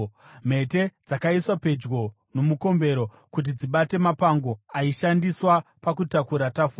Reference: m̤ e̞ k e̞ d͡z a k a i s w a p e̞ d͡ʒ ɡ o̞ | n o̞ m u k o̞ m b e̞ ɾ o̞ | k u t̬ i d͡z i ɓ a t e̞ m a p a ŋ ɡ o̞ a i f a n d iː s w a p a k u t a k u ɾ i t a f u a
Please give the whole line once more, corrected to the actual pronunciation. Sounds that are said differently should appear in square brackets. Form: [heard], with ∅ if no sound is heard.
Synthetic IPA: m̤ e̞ [t] e̞ d͡z a k a i s w a p e̞ d͡ʒ ɡ o̞ | n o̞ m u k o̞ m b e̞ ɾ o̞ | k u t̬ i d͡z i ɓ a t e̞ m a p a ŋ ɡ o̞ a i [ʃ] a n d [i] s w a p a k u t a k u ɾ [a] t a f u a